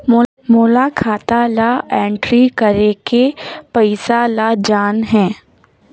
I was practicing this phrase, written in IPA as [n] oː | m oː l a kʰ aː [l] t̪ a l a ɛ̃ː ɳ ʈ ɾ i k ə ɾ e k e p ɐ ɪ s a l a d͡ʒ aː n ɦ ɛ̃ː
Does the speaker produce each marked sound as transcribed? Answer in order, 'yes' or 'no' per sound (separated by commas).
no, no